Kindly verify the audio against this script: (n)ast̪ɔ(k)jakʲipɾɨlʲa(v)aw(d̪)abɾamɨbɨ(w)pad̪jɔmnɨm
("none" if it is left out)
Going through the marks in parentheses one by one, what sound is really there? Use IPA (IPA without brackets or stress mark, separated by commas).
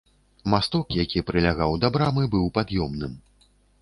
m, k, ɣ, d̪, w